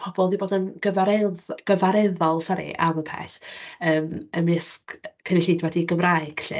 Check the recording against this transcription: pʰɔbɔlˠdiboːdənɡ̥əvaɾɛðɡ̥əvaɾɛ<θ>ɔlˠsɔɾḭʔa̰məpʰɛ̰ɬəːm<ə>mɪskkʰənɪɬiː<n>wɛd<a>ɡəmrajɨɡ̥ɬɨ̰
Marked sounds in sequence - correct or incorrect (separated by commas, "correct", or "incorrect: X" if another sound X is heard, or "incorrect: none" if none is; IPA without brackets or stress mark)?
incorrect: ð, correct, incorrect: d, incorrect: i